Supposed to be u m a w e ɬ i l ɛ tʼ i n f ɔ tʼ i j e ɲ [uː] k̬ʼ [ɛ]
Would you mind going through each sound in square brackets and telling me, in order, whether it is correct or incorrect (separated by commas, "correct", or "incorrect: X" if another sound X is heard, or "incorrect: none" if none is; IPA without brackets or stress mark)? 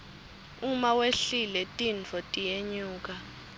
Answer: correct, incorrect: a